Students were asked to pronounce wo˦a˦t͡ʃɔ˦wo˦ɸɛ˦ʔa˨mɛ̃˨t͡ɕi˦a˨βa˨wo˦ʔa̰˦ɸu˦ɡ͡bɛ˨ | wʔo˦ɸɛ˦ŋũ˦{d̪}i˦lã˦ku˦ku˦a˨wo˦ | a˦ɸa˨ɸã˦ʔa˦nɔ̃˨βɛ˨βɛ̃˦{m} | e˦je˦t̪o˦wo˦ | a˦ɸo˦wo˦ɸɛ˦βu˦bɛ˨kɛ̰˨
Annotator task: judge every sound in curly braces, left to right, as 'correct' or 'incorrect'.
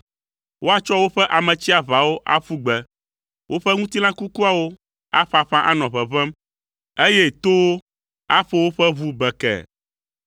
incorrect: t̪, correct

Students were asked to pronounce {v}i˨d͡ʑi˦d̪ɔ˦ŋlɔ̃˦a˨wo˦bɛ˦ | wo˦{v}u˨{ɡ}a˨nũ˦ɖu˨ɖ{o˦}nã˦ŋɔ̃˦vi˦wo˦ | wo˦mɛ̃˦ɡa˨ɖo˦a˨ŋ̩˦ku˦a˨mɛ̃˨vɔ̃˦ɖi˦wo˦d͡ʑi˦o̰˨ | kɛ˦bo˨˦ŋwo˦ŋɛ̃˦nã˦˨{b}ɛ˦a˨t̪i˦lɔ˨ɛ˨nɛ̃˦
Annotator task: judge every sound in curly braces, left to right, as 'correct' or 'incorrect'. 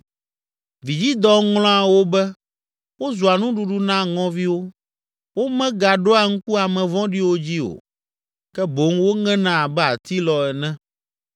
correct, incorrect: z, incorrect: none, incorrect: u˦, correct

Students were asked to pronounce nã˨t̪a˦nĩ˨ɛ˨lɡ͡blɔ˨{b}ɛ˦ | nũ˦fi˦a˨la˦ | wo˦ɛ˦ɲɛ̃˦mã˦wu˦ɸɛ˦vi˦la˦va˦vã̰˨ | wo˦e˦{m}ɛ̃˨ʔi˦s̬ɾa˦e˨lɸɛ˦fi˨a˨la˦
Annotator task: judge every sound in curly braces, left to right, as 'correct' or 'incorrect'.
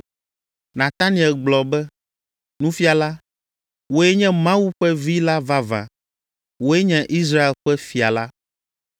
correct, incorrect: ɲ

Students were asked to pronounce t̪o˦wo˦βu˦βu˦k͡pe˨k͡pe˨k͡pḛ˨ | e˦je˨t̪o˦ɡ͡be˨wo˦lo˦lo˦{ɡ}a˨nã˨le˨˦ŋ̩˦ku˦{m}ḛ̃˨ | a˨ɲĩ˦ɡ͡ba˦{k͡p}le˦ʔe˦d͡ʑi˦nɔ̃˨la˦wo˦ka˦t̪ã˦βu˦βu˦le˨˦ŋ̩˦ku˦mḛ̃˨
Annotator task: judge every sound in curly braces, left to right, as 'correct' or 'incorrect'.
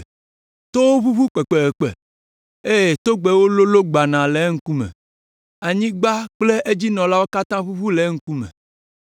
incorrect: ɡ͡b, correct, correct

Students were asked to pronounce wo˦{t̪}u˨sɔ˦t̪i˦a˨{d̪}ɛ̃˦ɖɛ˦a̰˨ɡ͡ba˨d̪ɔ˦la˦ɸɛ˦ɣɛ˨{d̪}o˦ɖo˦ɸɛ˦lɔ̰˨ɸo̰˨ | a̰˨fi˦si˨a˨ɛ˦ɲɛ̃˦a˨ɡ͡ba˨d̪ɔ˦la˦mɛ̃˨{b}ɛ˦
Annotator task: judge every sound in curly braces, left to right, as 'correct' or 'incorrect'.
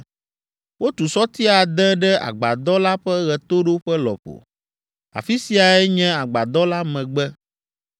correct, correct, incorrect: t̪, incorrect: ɡ͡b

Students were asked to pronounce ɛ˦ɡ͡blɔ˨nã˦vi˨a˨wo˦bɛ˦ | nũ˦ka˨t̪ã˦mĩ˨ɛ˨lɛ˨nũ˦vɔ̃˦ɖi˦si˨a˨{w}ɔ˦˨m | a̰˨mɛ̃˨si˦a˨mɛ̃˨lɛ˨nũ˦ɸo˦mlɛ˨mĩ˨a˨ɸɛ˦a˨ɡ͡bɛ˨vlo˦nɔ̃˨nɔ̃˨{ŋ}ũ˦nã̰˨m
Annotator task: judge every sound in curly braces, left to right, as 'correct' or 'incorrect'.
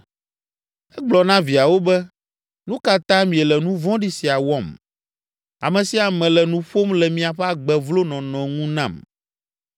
correct, correct

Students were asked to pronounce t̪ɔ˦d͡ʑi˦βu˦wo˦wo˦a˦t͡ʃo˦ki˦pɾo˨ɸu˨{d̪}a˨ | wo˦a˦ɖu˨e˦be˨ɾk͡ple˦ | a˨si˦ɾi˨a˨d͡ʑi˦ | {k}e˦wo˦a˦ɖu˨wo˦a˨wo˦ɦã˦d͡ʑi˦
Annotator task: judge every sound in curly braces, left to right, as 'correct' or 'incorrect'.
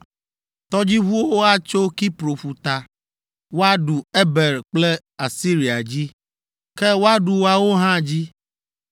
incorrect: t̪, correct

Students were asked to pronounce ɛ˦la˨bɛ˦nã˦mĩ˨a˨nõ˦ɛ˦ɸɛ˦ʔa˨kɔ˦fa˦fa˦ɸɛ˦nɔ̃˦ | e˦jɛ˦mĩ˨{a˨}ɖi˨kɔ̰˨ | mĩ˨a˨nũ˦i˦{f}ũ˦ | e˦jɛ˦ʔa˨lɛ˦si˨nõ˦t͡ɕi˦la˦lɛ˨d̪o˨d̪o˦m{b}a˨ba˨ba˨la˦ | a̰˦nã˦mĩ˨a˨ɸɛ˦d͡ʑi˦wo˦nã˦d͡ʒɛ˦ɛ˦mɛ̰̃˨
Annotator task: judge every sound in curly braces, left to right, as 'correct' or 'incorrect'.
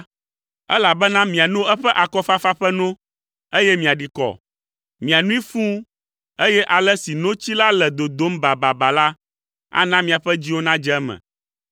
correct, correct, correct

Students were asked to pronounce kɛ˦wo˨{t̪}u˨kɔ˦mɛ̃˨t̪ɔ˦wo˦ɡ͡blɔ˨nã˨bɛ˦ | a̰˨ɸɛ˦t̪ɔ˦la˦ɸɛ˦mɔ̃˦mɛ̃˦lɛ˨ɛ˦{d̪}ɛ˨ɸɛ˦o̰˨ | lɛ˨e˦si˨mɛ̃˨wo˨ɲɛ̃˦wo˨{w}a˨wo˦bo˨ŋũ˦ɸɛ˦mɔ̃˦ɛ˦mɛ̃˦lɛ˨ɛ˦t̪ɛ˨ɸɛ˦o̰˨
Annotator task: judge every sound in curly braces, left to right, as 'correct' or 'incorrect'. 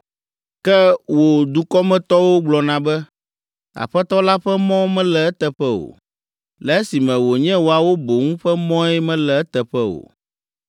incorrect: d̪, incorrect: t̪, incorrect: none

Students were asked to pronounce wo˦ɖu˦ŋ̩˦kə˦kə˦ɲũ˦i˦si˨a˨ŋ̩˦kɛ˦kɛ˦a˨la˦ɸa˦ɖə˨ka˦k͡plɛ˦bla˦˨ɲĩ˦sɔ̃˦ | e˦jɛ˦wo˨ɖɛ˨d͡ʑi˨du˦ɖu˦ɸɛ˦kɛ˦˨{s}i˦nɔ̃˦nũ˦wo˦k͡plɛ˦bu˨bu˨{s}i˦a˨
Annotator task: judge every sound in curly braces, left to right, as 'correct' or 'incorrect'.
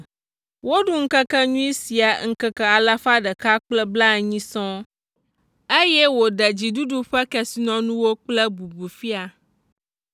correct, incorrect: f

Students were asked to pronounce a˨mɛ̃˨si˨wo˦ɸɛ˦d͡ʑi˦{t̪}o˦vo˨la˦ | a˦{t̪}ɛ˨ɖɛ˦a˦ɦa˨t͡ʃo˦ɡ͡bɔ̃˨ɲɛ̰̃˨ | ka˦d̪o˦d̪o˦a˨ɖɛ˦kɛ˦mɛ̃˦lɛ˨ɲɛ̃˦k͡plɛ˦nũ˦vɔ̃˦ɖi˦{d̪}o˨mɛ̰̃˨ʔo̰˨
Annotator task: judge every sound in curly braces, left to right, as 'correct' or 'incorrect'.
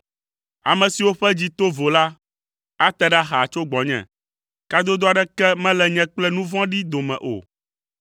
correct, correct, correct

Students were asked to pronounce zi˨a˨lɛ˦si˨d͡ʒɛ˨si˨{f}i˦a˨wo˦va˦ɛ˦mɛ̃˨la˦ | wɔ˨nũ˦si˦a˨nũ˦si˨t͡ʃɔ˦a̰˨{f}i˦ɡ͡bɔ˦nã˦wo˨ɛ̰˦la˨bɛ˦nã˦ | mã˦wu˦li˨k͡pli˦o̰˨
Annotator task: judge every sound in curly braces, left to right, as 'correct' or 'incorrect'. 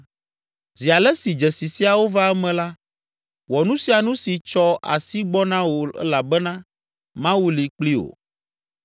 incorrect: s, incorrect: s

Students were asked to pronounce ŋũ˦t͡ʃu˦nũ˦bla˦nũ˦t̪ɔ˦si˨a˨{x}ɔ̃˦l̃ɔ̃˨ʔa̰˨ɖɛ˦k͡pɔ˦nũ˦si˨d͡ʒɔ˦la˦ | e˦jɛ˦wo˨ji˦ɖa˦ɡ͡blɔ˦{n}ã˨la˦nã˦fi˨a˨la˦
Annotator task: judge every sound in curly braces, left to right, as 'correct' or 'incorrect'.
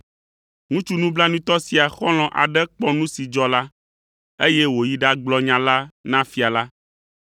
correct, incorrect: ɲ

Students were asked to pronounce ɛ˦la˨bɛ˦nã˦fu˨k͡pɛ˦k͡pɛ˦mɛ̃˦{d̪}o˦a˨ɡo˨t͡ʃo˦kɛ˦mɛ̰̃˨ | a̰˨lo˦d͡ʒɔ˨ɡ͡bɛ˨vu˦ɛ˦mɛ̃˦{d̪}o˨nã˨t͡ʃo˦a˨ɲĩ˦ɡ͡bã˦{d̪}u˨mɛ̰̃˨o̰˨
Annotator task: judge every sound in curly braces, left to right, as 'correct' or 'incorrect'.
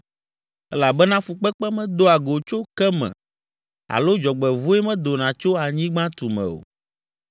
correct, correct, incorrect: t̪

